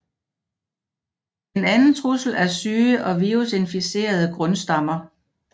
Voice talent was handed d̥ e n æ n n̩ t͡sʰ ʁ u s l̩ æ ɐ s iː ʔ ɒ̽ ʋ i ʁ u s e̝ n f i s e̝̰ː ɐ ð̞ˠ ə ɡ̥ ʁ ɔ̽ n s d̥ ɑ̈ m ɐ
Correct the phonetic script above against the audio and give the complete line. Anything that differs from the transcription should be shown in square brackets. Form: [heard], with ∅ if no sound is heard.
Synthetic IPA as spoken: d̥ e n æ n n̩ t͡sʰ ʁ u s l̩ æ ɐ s [yː] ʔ ɒ̽ ʋ i ʁ u s e̝ n f i s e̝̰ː ɐ ð̞ˠ ə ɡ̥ ʁ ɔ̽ n s d̥ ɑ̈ m ɐ